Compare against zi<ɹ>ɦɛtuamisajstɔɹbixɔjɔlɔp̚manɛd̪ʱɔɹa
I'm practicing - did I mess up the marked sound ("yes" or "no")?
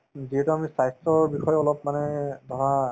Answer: yes